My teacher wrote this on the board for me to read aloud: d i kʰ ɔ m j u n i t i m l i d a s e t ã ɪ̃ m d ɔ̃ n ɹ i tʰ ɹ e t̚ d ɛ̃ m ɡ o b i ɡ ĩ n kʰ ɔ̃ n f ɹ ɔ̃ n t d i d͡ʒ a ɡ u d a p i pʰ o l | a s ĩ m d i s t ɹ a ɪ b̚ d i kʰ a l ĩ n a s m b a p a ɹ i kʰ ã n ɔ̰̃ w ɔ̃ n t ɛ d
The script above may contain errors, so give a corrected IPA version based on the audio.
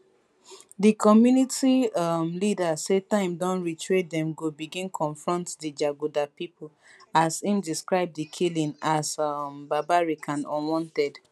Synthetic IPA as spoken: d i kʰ ɔ m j u n i t i m l i d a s e t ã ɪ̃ m d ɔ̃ n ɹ i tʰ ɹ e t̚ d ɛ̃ m ɡ o b i ɡ ĩ n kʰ ɔ̃ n f ɹ ɔ̃ n t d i d͡ʒ a ɡ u d a p i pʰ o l | a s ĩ m d i s k ɹ a ɪ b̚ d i kʰ i l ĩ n a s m b a b a ɹ i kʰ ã n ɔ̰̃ w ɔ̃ n t ɛ d